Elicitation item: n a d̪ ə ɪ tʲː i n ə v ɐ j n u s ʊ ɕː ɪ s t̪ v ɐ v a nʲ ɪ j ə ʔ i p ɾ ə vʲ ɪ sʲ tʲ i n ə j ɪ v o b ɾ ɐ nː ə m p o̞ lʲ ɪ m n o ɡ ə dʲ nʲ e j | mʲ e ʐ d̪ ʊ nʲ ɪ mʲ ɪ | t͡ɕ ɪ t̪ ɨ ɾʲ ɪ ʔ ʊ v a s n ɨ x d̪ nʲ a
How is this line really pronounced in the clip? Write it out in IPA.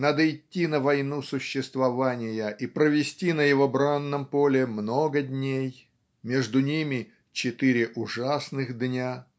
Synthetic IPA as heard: n a d̪ ə ɪ tʲː i n ə v ɐ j n u s ʊ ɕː ɪ s t̪ v ɐ v a nʲ ɪ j ə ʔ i p ɾ ə vʲ ɪ sʲ tʲ i n ə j ɪ v o b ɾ a nː ə m p o̞ lʲ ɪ m n o ɡ ə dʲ nʲ e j | mʲ e ʐ d̪ ʊ nʲ i mʲ ɪ | t͡ɕ ɪ t̪ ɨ ɾʲ ɪ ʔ ʊ ʐ a s n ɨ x d̪ nʲ a